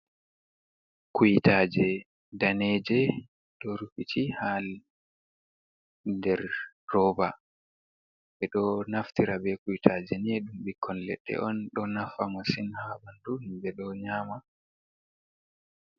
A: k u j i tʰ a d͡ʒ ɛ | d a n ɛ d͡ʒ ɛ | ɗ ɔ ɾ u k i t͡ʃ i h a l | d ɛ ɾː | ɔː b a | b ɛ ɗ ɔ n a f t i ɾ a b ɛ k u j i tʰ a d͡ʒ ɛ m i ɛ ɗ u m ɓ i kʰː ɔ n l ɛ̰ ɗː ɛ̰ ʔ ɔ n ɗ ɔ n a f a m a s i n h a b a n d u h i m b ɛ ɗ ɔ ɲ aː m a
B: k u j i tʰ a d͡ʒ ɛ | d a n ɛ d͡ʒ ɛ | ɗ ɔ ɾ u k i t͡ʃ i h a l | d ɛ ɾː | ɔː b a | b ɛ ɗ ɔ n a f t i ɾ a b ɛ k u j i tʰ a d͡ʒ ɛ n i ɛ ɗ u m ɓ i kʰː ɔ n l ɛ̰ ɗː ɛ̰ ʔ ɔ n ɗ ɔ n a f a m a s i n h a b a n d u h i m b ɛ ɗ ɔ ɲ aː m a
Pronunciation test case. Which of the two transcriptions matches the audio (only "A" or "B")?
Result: B